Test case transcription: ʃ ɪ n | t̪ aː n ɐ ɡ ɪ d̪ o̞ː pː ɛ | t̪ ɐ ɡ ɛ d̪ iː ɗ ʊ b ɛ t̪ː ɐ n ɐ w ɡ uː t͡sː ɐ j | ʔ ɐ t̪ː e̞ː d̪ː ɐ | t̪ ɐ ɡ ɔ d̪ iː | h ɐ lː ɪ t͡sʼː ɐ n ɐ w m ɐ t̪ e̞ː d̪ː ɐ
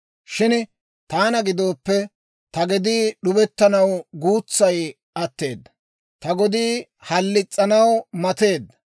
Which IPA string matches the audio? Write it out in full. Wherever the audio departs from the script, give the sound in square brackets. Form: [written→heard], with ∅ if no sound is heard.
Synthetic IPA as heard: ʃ ɪ n | t̪ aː n ɐ ɡ ɪ d̪ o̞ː pː ɛ | t̪ ɐ ɡ ɛ d̪ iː ɗ ʊ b ɛ t̪ː ɐ n ɐ w ɡ uː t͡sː ɐ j | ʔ ɐ t̪ː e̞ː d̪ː ɐ | t̪ ɐ ɡ ɔ d̪ iː | h ɐ lː ɪ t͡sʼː ɐ n ɐ w m ɐ t̪ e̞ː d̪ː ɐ